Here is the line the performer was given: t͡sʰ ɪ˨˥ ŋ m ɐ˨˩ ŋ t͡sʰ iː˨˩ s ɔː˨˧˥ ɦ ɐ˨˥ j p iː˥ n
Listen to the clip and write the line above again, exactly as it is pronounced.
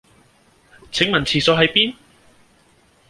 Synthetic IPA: t͡sʰ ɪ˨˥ ŋ m ɐ˨˩ n t͡sʰ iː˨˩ s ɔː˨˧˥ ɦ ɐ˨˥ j p iː˥ n

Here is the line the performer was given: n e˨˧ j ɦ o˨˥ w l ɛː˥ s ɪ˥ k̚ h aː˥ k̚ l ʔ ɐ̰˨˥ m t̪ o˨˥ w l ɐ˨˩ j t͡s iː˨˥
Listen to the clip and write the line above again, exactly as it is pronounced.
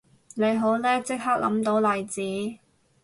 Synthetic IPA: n e˨˧ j ɦ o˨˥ w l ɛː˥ t͡s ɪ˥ k̚ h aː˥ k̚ l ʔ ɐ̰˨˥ m t̪ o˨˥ w l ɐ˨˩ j t͡s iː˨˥

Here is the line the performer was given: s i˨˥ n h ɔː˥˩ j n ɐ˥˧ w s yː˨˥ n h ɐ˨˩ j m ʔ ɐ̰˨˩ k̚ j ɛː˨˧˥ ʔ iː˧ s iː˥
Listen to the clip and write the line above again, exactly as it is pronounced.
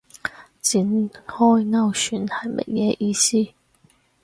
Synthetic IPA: t͡s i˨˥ n h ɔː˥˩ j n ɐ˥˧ w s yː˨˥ n h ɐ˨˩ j m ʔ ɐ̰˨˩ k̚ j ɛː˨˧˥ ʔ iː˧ s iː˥

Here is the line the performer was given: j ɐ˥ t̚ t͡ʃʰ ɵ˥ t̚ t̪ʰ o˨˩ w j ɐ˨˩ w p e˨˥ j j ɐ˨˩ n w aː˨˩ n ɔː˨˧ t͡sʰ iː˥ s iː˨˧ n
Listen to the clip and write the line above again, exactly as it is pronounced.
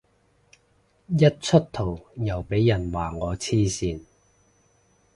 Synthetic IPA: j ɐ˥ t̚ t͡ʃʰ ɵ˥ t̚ t̪ʰ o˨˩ w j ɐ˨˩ w p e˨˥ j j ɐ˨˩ n w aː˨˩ ŋ ɔː˨˧ t͡sʰ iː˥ s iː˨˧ n

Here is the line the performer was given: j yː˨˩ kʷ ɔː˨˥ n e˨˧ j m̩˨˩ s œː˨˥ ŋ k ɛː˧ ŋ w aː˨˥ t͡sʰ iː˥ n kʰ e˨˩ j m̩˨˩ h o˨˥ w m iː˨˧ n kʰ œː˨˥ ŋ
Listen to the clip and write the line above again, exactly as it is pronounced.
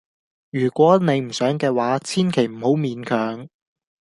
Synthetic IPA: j yː˨˩ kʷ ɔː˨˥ n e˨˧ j m̩˨˩ s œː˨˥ ŋ k ɛː˧ w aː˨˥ t͡sʰ iː˥ n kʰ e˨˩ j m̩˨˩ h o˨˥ w m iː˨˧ n kʰ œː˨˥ ŋ

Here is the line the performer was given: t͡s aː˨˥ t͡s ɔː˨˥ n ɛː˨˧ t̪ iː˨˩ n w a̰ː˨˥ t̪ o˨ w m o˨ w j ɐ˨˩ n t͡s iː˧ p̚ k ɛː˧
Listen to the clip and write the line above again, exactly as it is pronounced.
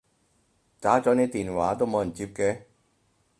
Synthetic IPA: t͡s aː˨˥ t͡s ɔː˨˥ n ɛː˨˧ t̪ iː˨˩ n w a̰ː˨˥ t̪ o˥ w m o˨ w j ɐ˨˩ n t͡s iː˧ p̚ k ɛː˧

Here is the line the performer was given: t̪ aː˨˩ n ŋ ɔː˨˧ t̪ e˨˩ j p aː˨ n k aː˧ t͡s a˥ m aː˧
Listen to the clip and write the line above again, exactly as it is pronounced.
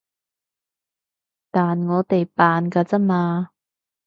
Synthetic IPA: t̪ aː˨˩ n ŋ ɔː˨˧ t̪ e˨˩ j p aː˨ n k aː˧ t͡s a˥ m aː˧

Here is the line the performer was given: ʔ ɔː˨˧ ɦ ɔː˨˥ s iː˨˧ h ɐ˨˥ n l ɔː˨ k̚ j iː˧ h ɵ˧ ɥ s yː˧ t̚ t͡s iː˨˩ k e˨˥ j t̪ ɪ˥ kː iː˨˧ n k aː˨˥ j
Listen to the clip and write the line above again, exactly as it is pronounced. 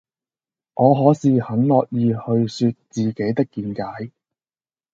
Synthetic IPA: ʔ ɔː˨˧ ɦ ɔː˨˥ s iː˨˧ h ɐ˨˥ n l ɔː˨ k̚ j iː˧ h ɵ˧ ɥ s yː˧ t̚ t͡s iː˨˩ k e˨˥ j t̪ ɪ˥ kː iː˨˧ n k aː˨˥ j

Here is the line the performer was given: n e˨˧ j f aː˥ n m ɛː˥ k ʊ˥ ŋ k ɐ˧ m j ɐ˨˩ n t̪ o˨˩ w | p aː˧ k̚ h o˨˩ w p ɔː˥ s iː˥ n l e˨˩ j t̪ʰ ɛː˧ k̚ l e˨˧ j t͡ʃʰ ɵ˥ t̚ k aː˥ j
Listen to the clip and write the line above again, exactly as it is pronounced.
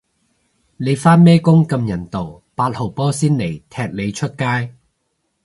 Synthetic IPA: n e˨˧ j f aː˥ n m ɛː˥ k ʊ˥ ŋ k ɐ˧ m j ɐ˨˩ n t̪ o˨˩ w | p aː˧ t̚ h o˨˩ w p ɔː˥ s iː˥ n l e˨˩ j t̪ʰ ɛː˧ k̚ l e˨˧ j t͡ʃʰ ɵ˥ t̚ k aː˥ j

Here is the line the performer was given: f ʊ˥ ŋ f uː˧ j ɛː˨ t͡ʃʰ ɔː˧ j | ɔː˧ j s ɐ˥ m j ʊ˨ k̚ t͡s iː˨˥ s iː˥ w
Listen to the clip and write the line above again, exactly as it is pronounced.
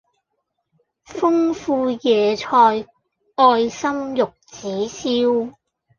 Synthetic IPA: f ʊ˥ ŋ f uː˧ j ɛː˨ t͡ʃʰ ɔː˧ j | ɔː˧ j s ɐ˥ m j ʊ˨ k̚ t͡s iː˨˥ s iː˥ w

